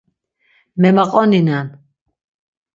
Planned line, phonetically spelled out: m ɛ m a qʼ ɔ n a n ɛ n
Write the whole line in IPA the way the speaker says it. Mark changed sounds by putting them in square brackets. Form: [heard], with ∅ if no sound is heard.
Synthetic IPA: m ɛ m a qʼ ɔ n [i] n [a] n